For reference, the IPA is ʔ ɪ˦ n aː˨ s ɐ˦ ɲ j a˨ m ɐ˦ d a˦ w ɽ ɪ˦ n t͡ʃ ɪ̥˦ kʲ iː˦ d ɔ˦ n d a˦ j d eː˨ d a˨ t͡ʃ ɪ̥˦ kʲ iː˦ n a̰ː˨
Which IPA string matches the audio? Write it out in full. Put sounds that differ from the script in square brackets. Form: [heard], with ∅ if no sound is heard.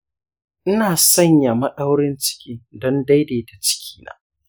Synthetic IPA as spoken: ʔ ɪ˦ n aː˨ s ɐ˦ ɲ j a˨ m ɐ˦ [ɗ] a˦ w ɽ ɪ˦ n t͡ʃ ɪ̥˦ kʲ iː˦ d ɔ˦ n d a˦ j d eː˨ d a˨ t͡ʃ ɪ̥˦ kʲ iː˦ n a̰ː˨